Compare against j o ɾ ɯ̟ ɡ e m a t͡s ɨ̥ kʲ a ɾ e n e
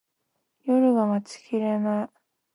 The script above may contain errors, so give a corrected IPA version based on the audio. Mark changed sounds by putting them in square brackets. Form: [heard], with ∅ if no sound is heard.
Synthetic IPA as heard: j o ɾ ɯ̟ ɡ [a] m a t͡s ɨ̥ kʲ [i] ɾ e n [a]